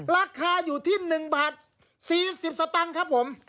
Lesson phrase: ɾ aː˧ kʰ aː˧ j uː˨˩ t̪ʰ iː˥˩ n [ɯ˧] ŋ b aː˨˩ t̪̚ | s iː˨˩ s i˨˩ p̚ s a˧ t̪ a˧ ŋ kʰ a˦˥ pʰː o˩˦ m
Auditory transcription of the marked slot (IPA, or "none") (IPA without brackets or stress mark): ɯ˨˩